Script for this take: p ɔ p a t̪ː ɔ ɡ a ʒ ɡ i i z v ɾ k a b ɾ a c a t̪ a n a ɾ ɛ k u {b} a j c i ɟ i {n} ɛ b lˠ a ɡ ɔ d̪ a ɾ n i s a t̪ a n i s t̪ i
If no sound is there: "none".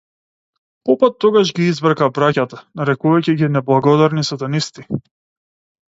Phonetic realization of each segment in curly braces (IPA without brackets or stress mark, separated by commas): v, n